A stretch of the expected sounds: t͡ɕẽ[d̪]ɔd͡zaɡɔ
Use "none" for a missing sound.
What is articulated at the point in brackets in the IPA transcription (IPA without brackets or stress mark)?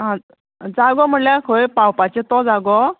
t̪